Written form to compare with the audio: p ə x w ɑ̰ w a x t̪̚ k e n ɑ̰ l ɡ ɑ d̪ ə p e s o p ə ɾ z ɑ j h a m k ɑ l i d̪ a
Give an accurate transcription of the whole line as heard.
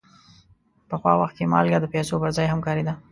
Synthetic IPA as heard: p ə x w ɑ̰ w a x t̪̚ k e m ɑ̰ l ɡ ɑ d̪ ə p e s o p ə ɾ z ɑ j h a m k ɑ ɾ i d̪ a

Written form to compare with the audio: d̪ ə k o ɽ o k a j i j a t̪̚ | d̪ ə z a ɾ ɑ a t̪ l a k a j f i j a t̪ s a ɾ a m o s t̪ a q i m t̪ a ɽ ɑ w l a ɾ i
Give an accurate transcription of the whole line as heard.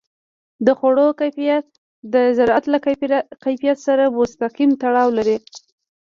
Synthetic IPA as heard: d̪ ə x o ɽ o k a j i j a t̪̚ | d̪ ə z a ɾ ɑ a t̪ l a k a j f i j a t̪ s a ɾ a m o s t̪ a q i m t̪ a ɽ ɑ w l a ɾ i

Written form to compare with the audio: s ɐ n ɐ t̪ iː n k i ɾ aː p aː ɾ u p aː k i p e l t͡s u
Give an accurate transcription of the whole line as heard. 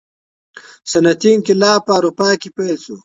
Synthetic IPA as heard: s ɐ n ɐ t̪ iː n k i l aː p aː ɾ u p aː k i p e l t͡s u

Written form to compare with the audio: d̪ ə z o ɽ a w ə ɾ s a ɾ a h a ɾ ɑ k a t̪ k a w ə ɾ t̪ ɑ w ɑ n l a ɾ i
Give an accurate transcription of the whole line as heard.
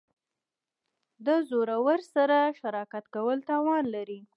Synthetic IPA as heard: d̪ ə z o ɾ a w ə ɾ s a ɾ a ʃ a ɾ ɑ k a t̪ k a w ə l t̪ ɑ w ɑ n l a ɾ i

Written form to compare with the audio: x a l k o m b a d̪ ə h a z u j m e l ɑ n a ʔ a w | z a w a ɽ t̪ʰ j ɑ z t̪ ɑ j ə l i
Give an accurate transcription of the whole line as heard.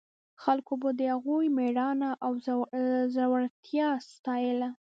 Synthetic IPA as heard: x a l k o b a d̪ ə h a ɣ u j m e ɽ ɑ n a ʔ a w | z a w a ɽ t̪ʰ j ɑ s t̪ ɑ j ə l a

